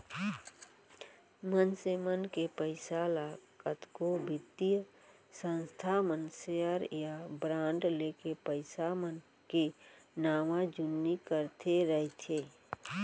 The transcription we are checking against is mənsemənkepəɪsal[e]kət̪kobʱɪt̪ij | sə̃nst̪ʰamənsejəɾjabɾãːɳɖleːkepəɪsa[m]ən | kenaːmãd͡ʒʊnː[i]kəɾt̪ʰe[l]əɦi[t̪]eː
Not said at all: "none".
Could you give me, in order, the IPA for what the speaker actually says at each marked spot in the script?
a, m, i, ɾ, t̪ʰ

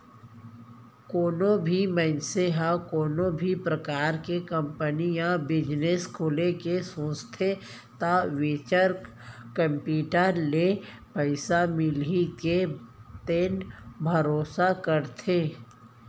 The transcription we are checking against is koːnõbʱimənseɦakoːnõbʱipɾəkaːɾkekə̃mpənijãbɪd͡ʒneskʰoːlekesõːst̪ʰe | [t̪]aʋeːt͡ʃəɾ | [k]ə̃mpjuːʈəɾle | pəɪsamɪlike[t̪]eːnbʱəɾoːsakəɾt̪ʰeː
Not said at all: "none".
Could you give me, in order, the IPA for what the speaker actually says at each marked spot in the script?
t̪, k, t̪

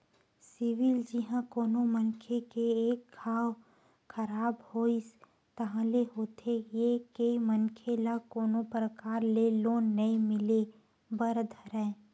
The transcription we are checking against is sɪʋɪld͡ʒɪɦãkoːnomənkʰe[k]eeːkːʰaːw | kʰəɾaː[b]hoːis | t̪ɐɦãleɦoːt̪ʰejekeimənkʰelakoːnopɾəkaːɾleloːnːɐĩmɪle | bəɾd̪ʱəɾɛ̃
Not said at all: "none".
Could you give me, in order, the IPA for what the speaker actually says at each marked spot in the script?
k, b

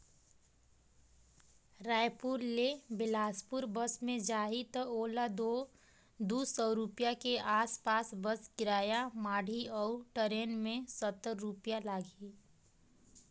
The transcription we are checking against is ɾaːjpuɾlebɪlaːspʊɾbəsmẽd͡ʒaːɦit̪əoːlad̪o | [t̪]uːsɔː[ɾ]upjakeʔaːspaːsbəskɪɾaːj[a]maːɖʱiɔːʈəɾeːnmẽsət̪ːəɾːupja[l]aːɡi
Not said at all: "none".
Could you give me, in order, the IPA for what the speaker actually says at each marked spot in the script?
d̪, ɾ, a, l

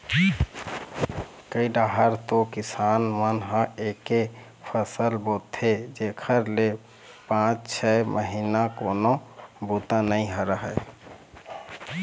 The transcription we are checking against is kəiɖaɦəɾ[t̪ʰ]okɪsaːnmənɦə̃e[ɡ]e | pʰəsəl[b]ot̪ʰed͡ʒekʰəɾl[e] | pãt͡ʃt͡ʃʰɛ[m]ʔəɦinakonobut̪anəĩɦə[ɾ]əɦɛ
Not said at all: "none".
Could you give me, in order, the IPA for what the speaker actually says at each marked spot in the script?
t̪, k, b, e, m, ɾ

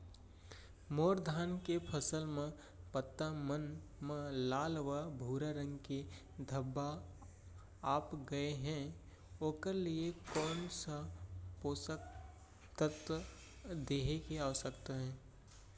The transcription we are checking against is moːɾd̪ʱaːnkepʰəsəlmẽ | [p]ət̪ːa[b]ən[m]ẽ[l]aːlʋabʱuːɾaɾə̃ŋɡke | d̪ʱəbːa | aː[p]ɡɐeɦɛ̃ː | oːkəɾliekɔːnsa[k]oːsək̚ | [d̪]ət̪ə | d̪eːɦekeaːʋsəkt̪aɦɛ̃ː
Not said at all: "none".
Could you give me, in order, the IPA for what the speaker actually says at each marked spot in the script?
p, m, m, l, p, p, t̪

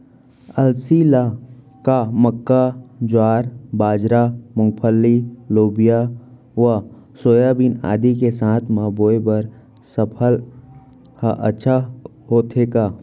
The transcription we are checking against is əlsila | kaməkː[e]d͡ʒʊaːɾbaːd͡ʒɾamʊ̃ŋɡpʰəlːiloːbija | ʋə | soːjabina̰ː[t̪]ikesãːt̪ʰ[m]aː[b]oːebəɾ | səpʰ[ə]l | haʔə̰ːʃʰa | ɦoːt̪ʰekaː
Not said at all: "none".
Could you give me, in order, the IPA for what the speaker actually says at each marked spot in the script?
a, d̪, m, b, ə

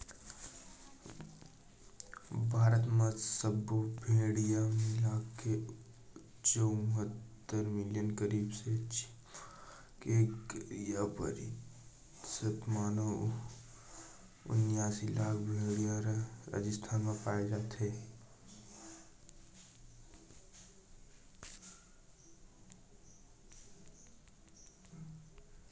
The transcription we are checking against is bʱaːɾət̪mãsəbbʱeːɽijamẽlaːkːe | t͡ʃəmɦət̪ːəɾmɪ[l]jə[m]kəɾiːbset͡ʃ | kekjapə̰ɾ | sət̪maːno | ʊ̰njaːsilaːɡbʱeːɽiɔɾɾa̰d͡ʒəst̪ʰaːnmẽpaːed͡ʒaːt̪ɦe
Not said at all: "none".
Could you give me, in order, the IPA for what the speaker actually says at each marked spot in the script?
l, n

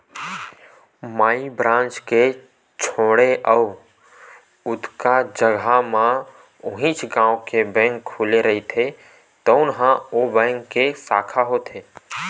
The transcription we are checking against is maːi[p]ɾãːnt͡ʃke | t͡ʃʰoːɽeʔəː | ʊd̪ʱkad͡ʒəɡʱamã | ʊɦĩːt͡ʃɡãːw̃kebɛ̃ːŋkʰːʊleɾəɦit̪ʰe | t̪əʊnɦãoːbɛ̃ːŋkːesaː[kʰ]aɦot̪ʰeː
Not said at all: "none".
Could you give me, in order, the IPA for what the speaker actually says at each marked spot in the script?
b, kʰ

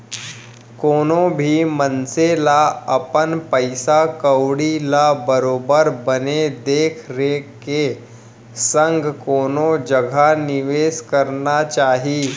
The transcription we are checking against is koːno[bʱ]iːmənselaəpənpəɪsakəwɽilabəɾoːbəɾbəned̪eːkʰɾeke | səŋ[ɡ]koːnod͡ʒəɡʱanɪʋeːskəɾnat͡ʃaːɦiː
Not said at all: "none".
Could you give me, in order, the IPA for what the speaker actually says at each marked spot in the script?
bʱ, ɡ

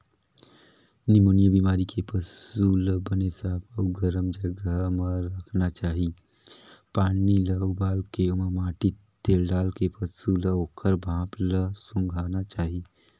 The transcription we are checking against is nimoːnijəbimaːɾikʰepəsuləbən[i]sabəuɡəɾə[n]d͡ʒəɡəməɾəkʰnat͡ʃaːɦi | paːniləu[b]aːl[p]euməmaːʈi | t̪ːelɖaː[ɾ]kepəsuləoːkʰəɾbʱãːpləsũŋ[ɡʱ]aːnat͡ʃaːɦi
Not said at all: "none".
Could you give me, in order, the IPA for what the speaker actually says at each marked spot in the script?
e, m, b, k, l, ɡʱ

